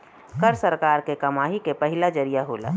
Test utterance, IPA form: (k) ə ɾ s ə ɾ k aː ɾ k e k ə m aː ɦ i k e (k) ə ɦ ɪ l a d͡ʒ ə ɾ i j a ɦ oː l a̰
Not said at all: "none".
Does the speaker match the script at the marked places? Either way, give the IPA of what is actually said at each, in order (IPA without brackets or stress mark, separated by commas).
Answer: k, p